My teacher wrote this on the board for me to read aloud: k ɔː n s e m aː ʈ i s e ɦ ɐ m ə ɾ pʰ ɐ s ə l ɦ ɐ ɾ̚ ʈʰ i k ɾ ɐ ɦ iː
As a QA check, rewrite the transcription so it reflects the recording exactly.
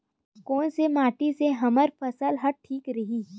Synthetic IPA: k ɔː n s e m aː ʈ i s e ɦ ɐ m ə ɾ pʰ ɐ s ə l ɦ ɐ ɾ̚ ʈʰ iː k ɾ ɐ ɦ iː